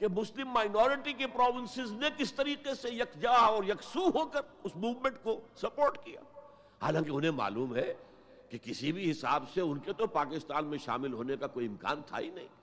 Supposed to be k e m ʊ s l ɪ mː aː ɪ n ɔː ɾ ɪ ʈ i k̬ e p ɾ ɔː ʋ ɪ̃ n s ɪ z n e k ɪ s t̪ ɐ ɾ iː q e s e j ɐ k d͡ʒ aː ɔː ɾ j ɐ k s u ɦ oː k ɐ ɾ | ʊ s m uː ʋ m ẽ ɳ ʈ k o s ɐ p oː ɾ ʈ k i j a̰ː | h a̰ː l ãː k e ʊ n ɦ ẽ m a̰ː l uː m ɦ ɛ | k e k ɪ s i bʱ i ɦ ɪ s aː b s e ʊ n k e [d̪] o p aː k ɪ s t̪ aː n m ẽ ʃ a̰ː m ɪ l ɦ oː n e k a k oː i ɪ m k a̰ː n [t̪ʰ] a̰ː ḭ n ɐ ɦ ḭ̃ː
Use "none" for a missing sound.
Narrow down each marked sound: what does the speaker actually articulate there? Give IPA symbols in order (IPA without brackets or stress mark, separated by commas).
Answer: t̪, t̪ʰ